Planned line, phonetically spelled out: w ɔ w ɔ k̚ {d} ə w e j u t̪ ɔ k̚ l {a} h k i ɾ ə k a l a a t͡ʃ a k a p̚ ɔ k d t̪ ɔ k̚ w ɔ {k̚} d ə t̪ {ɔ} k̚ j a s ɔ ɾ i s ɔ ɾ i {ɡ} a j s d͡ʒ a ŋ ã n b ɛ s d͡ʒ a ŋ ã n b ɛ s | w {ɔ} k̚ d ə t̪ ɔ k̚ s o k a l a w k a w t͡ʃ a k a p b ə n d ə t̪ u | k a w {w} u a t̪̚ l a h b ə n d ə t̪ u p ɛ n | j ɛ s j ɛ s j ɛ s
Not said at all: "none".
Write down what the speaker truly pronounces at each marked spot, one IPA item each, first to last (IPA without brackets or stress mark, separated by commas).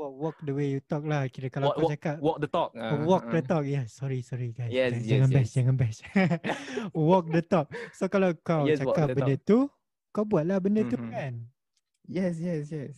d, a, k̚, ɔ, ɡ, ɔ, b